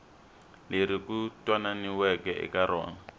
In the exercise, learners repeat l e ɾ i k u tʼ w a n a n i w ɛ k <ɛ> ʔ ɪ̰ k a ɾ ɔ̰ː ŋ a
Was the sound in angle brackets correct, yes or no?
yes